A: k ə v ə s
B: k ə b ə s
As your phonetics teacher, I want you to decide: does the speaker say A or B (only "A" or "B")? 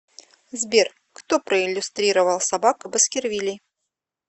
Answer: B